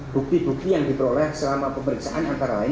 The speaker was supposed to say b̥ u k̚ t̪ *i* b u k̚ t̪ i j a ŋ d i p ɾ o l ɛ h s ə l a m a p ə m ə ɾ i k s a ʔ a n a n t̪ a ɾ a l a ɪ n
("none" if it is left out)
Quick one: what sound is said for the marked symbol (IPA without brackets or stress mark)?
i